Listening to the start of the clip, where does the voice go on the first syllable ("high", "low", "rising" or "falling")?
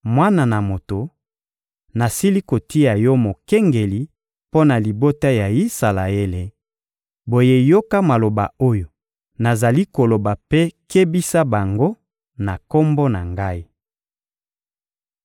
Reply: high